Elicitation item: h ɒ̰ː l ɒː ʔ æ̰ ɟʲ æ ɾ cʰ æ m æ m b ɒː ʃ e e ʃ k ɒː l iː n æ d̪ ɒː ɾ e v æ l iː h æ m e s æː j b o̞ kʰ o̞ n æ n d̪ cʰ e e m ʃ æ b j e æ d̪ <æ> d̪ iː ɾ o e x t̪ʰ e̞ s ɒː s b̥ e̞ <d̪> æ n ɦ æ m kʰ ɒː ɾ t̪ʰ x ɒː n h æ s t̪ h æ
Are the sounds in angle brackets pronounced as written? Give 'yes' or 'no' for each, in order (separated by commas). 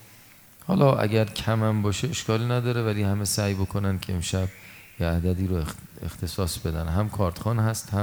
yes, yes